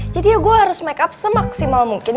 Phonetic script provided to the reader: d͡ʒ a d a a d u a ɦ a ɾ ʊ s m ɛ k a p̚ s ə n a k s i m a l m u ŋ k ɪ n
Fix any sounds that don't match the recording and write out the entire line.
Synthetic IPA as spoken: d͡ʒ a d i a ɡ u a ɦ a ɾ ʊ s m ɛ k a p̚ s ə m a k s i m a l m u ŋ k ɪ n